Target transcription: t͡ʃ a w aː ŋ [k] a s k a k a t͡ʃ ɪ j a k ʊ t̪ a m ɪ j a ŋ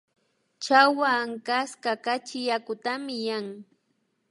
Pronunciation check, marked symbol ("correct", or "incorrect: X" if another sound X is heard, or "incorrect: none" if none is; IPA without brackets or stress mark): correct